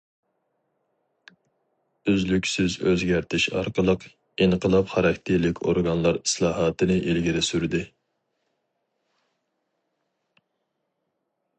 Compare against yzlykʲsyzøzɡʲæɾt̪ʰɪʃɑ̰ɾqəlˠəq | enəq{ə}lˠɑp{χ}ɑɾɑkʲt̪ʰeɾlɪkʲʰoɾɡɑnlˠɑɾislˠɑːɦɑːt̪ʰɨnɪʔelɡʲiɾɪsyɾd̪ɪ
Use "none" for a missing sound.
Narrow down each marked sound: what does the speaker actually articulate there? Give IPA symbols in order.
ə, χ

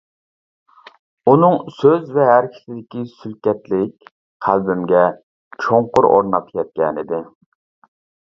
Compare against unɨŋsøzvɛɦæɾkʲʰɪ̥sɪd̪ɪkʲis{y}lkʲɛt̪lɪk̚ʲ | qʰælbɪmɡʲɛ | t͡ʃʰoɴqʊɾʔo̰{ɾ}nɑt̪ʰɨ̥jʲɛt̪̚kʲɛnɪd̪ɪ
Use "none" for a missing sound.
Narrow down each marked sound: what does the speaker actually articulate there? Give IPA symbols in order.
y, ɾ

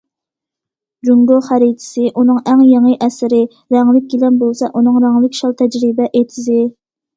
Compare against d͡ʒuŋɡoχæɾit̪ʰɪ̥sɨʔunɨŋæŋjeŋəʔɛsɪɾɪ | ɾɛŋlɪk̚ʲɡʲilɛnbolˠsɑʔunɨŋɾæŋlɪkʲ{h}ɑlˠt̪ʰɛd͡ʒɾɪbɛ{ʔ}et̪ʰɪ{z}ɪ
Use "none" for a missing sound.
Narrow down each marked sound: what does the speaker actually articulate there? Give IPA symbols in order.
ʃ, ʔ, z

